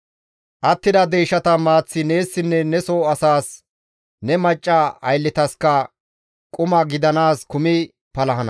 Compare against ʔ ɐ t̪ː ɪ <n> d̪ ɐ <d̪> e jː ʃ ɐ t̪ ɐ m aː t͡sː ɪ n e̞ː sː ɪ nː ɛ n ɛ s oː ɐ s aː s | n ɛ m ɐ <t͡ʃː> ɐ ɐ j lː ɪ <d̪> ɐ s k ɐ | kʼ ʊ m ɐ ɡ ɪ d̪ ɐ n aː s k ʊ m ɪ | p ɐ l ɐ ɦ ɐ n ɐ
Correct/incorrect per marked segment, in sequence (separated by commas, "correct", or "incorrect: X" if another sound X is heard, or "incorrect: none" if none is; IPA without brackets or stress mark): incorrect: none, correct, incorrect: t͡ʃʼː, incorrect: t̪